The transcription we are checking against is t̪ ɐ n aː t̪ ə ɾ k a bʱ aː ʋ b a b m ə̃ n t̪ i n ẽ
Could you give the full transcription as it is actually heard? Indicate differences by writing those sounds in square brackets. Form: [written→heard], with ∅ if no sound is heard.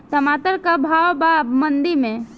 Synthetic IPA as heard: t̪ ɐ [n→m] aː t̪ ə ɾ k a bʱ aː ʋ b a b m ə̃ n [t̪→d̪] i [n→m] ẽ